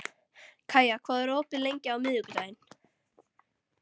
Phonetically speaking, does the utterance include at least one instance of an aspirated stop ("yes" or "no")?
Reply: yes